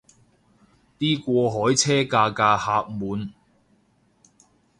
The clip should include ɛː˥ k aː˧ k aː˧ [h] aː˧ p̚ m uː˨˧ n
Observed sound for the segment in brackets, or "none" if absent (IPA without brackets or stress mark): h